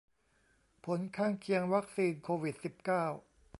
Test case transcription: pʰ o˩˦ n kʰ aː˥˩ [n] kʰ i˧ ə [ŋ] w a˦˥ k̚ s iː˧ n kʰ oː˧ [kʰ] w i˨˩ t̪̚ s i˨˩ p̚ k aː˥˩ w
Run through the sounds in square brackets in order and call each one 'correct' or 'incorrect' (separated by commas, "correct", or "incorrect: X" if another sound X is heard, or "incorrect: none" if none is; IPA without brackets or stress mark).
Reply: incorrect: ŋ, correct, incorrect: none